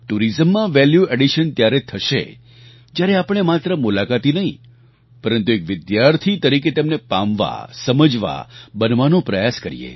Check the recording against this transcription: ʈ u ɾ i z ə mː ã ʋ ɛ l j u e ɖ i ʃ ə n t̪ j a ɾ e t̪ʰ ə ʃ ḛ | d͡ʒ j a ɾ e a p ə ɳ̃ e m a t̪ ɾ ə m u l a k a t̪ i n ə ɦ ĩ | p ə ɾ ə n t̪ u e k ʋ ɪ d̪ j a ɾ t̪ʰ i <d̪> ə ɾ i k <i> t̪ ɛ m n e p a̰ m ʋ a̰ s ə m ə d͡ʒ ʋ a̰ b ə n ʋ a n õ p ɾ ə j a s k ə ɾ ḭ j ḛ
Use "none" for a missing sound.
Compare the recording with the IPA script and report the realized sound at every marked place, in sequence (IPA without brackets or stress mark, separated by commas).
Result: t̪, e